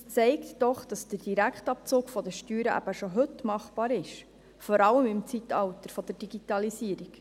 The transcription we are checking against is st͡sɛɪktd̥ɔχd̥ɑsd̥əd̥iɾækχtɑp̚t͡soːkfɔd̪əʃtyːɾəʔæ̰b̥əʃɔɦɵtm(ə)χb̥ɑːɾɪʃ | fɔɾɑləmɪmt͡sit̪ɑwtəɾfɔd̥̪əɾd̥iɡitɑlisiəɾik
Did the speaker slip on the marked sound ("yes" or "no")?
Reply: yes